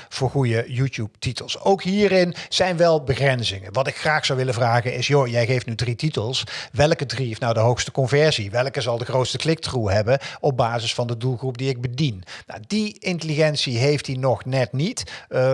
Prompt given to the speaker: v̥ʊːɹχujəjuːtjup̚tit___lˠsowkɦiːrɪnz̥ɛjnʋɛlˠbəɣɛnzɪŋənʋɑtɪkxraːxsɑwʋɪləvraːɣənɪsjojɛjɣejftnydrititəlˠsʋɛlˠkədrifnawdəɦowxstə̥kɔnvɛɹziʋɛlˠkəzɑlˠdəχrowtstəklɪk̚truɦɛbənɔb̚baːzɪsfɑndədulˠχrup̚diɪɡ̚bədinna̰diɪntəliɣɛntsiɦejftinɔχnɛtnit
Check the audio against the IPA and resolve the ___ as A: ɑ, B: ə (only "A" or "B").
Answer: B